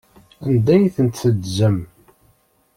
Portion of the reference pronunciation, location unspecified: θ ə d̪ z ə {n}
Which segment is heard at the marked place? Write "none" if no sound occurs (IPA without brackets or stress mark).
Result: m